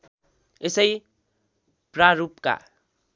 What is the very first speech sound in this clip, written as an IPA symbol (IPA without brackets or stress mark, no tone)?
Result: e